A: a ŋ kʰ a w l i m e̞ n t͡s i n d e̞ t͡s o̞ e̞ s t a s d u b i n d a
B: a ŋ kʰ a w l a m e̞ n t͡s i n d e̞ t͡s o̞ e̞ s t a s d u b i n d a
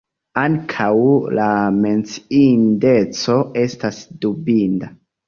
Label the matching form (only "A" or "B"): B